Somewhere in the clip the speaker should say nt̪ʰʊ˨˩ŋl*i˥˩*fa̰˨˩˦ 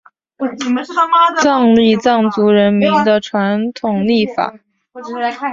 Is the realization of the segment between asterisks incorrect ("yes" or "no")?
no